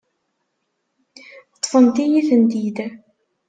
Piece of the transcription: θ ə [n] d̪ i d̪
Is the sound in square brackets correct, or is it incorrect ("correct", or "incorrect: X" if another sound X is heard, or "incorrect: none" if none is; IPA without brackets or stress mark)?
correct